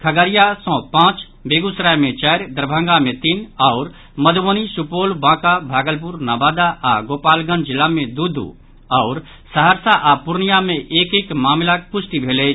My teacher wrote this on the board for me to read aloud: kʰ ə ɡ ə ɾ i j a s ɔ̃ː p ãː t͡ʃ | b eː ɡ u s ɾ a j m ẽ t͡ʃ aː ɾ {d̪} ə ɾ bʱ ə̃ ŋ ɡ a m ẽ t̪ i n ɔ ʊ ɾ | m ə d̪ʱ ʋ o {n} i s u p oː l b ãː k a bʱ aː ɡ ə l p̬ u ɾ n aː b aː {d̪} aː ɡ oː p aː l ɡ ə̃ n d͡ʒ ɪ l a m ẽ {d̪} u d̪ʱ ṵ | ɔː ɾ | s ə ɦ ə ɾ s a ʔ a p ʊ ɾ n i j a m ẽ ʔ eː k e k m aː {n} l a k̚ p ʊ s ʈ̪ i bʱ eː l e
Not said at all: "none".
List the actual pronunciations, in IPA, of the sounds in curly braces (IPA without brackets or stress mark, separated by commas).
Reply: d̪, n, d̪, d̪, m